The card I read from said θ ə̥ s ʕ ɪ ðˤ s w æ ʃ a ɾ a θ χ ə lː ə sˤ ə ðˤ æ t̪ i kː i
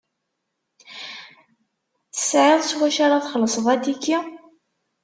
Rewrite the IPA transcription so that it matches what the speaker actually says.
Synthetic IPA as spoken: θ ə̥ s ʕ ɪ ðˤ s w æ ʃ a ɾ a θ χ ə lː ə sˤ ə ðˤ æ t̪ i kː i